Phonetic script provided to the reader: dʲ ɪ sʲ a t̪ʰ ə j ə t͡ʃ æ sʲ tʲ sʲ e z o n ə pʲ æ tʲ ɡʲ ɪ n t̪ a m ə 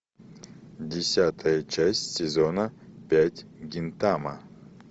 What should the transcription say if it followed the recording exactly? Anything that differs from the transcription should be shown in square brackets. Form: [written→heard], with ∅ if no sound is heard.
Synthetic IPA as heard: dʲ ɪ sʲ a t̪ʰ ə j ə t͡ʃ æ sʲ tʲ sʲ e z o n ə pʲ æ tʲ ɡʲ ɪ n t̪ a m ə